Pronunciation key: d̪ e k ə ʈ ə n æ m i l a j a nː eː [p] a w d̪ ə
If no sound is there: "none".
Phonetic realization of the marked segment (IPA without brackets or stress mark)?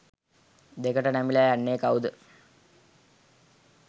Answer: k